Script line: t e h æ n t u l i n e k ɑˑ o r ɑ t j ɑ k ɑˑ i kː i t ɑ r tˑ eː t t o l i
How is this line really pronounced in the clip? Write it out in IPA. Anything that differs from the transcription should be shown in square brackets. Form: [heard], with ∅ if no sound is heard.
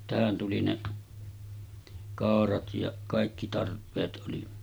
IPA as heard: t [æ] h æ n t u l i n e k ɑˑ o r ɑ t j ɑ k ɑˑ i kː i t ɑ r [pˑ] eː t [ʔ] o l i